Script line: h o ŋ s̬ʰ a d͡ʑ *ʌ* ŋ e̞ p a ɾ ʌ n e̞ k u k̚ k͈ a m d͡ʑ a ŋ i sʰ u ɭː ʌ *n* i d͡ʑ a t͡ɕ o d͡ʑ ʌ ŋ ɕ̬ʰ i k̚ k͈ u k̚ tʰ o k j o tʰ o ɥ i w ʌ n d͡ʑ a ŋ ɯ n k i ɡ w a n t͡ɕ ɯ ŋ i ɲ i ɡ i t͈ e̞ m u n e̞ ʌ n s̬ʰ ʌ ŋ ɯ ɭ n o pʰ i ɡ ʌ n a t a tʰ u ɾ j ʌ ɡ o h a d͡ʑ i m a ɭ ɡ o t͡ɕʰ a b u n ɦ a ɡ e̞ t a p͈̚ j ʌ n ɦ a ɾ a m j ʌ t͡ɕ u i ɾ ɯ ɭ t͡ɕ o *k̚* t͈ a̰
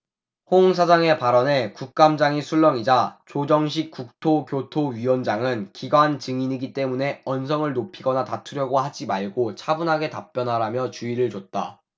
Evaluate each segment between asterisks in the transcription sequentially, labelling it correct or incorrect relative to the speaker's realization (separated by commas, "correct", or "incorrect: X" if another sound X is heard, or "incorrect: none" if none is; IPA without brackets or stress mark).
incorrect: a, incorrect: ŋ, incorrect: t̚